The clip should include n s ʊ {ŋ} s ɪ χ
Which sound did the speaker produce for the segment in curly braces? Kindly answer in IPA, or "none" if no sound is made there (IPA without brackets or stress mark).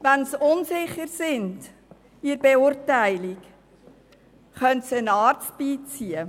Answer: n